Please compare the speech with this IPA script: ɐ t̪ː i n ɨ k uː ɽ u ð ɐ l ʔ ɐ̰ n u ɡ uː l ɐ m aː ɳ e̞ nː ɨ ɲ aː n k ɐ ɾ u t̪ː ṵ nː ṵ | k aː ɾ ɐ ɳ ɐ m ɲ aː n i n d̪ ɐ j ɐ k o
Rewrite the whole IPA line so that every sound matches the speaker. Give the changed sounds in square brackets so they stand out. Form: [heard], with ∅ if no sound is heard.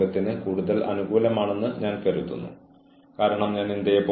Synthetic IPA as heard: ɐ t̪ː i n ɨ k uː ɽ u ð ɐ l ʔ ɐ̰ n u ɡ uː l ɐ m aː ɳ e̞ nː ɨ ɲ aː n k ɐ ɾ u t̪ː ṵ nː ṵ | k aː ɾ ɐ ɳ ɐ m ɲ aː n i n d̪ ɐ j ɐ [p] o